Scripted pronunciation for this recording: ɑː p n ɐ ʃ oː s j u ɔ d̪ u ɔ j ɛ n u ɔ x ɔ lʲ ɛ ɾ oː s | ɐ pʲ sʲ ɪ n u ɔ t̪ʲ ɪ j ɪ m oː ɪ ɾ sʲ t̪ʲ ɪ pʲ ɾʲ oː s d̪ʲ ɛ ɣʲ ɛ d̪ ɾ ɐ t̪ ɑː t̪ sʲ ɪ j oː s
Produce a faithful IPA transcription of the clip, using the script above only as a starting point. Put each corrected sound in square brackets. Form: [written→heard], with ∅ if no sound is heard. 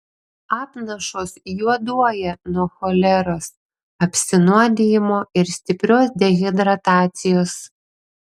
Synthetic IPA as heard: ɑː p n ɐ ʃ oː s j u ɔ d̪ u ɔ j ɛ n u ɔ x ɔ lʲ ɛ ɾ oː s | ɐ pʲ sʲ ɪ n u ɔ [t̪ʲ→d̪ʲ] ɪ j ɪ m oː ɪ ɾ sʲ t̪ʲ ɪ pʲ ɾʲ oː s d̪ʲ ɛ ɣʲ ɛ d̪ ɾ ɐ t̪ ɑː t̪ sʲ ɪ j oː s